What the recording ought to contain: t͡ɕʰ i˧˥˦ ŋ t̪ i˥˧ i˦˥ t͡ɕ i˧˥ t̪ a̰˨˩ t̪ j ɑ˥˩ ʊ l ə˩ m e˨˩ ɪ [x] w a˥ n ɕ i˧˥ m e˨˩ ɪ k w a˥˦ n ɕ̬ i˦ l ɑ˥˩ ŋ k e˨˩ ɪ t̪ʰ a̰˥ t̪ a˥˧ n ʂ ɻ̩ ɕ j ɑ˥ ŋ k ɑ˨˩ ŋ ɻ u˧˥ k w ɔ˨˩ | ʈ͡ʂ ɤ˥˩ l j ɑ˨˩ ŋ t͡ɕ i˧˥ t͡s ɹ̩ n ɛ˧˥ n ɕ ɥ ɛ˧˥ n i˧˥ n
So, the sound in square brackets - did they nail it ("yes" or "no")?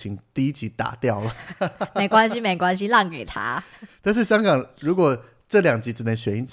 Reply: no